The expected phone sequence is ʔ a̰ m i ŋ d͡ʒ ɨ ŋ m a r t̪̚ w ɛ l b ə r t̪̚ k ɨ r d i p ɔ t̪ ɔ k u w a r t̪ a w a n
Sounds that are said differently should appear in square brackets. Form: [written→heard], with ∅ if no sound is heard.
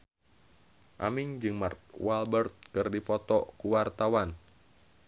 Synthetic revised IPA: ʔ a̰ m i ŋ d͡ʒ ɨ ŋ m a r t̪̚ w [ɛ→a] l b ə r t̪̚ k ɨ r d i p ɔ t̪ ɔ k u w a r t̪ a w a n